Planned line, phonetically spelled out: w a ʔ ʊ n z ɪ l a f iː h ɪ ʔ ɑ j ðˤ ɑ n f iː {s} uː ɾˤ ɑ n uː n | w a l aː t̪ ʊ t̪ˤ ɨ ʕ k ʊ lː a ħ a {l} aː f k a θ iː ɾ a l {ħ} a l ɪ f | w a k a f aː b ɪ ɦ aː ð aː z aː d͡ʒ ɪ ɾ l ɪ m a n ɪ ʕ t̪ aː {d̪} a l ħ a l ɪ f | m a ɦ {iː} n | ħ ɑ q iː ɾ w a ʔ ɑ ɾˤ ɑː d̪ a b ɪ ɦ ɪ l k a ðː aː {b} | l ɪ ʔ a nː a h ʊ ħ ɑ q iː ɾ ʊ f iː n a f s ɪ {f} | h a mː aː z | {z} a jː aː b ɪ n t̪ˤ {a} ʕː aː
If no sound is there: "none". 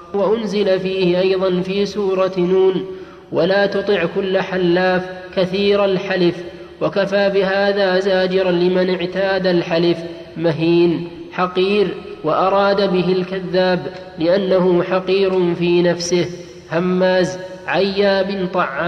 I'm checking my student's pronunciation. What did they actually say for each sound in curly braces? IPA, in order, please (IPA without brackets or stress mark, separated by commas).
s, lː, ħ, d̪, iː, b, h, ʕ, ɑ